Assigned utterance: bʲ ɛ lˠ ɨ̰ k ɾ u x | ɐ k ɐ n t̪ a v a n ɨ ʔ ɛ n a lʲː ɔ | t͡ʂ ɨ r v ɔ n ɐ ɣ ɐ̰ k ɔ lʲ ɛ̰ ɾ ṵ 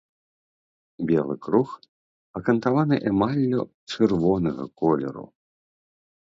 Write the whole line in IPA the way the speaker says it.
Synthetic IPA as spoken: bʲ ɛ lˠ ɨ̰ k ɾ u x | ɐ k ɐ n t̪ a v a n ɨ ʔ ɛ m a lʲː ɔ | t͡ʂ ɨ r v ɔ n ɐ ɣ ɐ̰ k ɔ lʲ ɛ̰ ɾ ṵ